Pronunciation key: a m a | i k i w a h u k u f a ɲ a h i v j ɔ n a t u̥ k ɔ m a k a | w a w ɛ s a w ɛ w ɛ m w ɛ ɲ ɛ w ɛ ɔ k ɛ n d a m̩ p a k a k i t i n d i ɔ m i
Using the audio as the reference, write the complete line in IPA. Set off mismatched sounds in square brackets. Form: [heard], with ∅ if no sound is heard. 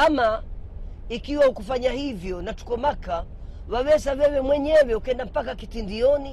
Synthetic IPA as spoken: a m a | i k i w a h u k u f a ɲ a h i v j ɔ n a t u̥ k ɔ m a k a | w a w ɛ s a w ɛ w ɛ m w ɛ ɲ ɛ w ɛ [u] k ɛ n d a m̩ p a k a k i t i n d i ɔ [n] i